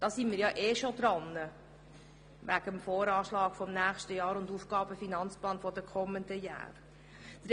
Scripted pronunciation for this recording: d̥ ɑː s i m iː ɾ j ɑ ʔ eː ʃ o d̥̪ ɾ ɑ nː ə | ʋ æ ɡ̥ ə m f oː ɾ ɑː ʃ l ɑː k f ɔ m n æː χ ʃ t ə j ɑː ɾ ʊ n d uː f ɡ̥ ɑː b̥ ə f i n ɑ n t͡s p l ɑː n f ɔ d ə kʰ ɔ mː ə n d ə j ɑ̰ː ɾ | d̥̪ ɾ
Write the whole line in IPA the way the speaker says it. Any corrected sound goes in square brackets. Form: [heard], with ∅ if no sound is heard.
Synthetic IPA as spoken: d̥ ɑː s i m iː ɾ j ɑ ʔ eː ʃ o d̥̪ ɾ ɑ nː ə | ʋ æ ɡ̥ ə m f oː ɾ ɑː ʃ l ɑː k f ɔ m n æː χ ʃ t ə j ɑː ɾ ʊ n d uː f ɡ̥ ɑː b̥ ə f i n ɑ n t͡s p l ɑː n f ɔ d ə kʰ ɔ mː ə n d ə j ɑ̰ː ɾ | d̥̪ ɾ